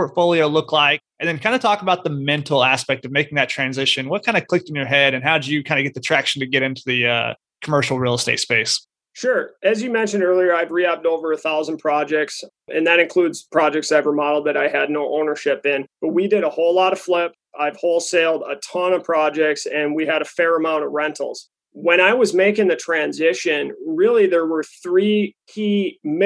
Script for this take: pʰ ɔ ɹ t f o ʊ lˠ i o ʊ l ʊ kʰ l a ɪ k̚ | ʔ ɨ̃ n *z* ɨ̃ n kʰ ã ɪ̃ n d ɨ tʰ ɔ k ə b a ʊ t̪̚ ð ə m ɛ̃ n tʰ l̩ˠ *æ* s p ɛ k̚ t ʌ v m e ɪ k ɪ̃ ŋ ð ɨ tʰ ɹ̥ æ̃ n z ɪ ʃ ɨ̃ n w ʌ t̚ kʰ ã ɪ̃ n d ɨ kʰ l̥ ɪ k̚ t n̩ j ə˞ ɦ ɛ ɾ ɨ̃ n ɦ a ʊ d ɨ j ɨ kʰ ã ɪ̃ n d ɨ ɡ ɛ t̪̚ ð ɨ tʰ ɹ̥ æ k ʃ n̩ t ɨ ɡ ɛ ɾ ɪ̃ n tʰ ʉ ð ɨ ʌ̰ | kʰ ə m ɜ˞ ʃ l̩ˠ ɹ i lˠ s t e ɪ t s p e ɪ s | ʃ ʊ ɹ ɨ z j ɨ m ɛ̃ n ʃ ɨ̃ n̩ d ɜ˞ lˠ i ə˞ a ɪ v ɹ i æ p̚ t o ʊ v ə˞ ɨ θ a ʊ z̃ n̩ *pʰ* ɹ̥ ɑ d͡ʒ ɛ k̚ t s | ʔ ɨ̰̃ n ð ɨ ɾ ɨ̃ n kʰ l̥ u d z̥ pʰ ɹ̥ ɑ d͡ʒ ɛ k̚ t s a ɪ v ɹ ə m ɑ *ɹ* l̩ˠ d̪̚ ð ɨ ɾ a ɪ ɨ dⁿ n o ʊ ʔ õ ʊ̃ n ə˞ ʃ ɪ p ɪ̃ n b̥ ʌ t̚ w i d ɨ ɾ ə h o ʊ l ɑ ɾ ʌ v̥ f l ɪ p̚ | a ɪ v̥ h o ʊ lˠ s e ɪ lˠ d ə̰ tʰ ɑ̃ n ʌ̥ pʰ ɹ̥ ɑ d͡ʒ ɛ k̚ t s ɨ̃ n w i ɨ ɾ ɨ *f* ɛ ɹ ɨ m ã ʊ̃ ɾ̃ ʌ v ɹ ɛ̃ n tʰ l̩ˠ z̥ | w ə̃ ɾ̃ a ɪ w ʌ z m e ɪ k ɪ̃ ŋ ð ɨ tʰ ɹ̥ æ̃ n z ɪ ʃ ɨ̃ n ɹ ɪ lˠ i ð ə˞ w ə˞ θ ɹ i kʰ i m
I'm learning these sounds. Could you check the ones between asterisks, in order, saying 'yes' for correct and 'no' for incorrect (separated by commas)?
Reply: no, yes, yes, no, yes